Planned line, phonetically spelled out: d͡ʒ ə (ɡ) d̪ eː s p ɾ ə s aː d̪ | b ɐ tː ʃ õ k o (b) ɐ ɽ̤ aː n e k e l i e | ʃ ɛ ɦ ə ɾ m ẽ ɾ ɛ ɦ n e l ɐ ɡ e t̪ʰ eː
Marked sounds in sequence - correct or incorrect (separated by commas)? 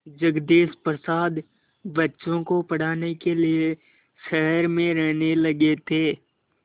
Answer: correct, incorrect